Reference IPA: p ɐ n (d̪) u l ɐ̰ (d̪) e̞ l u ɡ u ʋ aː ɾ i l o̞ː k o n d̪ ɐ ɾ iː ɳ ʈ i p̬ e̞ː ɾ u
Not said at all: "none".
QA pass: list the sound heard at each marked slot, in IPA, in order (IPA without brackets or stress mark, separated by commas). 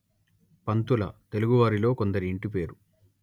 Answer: t̪, t̪